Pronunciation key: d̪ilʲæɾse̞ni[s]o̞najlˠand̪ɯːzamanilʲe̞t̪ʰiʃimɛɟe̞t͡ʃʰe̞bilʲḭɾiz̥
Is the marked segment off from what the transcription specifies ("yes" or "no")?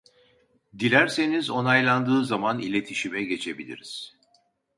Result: yes